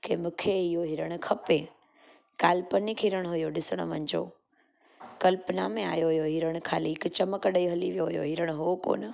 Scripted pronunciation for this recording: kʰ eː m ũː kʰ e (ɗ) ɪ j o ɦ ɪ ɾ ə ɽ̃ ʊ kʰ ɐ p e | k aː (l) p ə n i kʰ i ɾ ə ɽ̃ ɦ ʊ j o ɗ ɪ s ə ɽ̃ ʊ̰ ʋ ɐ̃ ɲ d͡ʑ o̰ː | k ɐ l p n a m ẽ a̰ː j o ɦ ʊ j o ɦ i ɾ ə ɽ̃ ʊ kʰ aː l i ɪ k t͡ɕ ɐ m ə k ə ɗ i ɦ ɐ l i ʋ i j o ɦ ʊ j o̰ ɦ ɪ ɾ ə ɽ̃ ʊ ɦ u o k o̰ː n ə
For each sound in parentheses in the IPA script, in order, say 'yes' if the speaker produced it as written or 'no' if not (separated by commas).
no, yes